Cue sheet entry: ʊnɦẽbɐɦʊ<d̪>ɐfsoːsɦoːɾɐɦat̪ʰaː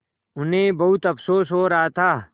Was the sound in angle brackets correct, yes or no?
no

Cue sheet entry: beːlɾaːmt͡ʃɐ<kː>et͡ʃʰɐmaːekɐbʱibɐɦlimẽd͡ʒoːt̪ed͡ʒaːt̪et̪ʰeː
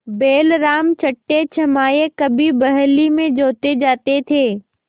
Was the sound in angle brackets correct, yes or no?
no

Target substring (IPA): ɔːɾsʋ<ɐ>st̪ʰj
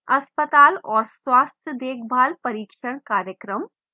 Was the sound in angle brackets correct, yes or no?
no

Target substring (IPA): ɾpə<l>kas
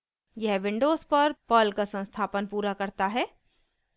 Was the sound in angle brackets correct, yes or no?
yes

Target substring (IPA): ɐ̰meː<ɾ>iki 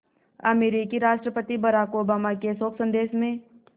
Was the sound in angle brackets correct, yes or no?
yes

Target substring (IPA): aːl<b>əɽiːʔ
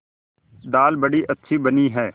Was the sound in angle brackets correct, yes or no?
yes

